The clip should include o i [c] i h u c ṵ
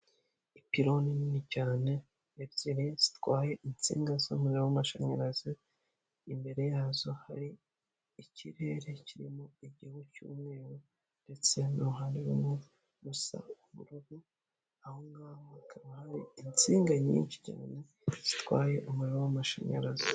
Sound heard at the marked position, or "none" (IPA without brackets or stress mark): ɟ